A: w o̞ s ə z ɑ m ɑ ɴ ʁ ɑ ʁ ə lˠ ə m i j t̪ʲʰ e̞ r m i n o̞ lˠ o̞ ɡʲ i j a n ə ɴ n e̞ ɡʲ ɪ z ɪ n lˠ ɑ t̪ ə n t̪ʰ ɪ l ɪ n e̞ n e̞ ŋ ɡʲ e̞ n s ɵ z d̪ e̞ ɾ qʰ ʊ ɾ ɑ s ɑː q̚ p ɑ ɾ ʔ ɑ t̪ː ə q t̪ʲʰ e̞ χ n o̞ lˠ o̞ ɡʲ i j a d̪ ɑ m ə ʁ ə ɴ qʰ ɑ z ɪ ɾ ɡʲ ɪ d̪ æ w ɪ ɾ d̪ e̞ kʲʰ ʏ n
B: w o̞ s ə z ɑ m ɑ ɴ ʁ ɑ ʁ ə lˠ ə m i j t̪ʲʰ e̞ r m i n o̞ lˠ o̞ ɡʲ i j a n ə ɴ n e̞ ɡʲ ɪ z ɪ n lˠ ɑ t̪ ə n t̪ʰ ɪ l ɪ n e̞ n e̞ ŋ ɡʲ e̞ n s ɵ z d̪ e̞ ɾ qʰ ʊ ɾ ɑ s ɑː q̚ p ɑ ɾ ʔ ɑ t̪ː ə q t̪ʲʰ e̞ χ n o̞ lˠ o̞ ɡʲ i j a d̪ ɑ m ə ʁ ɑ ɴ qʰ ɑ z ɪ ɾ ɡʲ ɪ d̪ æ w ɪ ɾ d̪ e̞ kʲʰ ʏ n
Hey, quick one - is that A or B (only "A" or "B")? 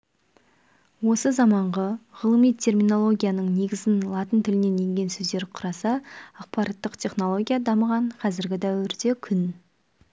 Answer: B